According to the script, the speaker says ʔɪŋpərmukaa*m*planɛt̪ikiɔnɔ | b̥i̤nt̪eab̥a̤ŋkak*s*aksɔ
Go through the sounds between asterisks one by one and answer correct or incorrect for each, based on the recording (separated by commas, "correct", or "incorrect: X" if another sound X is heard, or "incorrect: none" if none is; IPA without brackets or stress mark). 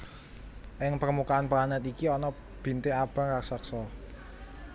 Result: incorrect: n, correct